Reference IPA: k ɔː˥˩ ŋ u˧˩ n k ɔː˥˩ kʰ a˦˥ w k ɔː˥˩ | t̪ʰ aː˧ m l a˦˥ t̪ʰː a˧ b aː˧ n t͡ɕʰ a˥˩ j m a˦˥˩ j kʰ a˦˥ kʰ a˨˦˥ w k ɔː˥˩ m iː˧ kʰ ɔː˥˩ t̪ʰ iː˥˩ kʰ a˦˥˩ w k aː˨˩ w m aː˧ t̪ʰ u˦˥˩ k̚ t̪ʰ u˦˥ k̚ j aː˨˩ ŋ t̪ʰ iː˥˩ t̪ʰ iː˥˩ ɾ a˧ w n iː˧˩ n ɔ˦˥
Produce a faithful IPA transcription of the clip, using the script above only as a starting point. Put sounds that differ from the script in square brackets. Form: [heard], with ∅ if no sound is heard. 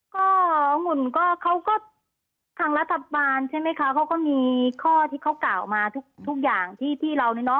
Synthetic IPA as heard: k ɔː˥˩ ŋ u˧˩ n k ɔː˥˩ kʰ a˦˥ w k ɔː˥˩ | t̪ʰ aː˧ [ŋ] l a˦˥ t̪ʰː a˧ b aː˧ n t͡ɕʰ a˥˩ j m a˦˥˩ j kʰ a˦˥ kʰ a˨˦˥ w k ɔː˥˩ m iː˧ kʰ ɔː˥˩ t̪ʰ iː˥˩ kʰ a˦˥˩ w k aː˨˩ w m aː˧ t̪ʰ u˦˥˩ k̚ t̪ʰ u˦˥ k̚ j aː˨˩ ŋ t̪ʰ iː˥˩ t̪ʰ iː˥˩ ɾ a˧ w n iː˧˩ n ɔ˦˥